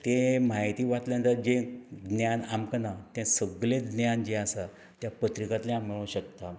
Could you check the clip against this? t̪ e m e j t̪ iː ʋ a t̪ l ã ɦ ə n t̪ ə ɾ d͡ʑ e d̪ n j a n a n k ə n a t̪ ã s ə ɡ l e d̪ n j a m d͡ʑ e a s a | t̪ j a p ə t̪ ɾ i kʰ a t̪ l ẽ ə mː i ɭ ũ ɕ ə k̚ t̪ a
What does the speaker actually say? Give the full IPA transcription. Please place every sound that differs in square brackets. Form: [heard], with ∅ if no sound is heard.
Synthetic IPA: t̪ e m [a] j t̪ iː ʋ a t̪ l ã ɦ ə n t̪ ə ɾ d͡ʑ e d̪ n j a n a [m] k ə n a t̪ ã s ə ɡ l e d̪ n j a [n] d͡ʑ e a s a | t̪ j a p ə t̪ ɾ i [k] a t̪ l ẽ [a] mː i ɭ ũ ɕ ə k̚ t̪ a